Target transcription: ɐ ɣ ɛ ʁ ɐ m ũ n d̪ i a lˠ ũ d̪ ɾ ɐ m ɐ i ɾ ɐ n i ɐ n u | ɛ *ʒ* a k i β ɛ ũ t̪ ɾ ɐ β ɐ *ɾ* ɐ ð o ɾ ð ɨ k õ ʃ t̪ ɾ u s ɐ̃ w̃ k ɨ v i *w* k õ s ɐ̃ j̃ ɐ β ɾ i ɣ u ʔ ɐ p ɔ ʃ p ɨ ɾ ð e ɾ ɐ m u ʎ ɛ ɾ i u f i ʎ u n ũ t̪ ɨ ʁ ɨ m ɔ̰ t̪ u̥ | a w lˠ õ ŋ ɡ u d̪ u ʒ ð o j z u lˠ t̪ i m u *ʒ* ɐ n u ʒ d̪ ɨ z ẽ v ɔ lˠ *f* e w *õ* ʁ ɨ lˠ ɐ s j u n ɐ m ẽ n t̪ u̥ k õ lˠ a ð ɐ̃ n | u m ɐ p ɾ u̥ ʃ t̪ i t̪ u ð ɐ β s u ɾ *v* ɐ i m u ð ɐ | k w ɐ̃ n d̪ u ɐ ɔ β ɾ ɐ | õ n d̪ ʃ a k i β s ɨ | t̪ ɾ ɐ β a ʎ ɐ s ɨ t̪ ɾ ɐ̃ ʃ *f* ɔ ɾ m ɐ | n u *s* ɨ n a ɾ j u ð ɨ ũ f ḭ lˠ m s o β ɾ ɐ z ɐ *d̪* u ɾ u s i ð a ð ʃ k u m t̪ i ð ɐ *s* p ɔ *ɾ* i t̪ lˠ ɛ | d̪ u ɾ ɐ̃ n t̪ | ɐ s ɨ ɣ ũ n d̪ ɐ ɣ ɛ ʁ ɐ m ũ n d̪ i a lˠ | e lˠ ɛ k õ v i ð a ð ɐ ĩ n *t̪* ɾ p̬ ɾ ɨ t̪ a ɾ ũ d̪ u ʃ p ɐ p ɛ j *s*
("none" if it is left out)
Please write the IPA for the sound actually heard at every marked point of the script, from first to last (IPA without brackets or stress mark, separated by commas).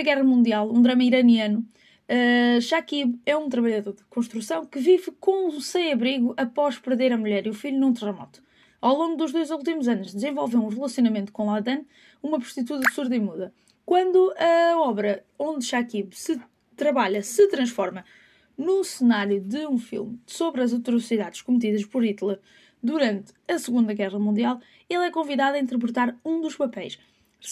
ʃ, ʎ, v, z, v, ũ, ð, f, s, t̪, ʃ, ɾ, t̪, ʃ